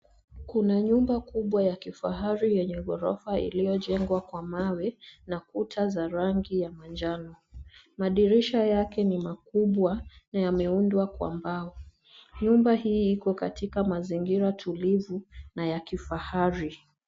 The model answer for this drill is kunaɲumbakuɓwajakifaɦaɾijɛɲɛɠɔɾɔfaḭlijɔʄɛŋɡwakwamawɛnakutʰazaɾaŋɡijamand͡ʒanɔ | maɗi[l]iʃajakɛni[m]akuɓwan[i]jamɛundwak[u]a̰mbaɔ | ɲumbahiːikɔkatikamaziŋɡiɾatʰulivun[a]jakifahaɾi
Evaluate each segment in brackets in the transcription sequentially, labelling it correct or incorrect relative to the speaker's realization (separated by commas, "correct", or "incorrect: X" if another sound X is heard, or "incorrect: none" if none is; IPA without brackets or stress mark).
incorrect: ɾ, correct, incorrect: a, incorrect: w, correct